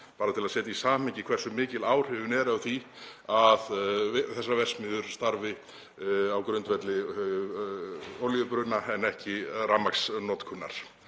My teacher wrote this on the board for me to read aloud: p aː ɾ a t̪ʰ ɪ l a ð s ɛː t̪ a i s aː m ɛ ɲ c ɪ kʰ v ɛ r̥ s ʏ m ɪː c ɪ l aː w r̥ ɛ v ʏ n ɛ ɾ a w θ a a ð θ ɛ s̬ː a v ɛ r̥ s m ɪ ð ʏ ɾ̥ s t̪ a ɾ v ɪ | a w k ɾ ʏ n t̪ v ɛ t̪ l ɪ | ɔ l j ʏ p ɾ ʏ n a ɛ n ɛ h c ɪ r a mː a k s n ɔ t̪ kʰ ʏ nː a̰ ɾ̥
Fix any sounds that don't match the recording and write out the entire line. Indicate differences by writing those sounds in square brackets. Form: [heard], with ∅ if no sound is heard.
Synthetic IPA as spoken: p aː ɾ a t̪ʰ ɪ l a ð s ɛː t̪ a i s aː m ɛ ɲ c ɪ kʰ v ɛ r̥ s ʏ m ɪː c ɪ l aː w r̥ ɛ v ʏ n ɛ ɾ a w θ [i] a ð θ ɛ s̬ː a v ɛ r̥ s m ɪ ð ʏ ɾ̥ s t̪ a ɾ v ɪ | a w k ɾ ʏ n t̪ v ɛ t̪ l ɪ | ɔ l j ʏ p ɾ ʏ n a ɛ n ɛ h c ɪ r a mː a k s n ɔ t̪ kʰ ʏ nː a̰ ɾ̥